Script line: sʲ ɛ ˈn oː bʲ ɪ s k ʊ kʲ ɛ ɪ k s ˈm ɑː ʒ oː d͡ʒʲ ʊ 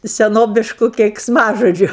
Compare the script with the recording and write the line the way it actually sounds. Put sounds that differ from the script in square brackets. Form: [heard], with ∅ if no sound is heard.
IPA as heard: sʲ ɛ ˈn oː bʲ ɪ [ʃ] k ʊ kʲ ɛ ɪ k s ˈm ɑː ʒ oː d͡ʒʲ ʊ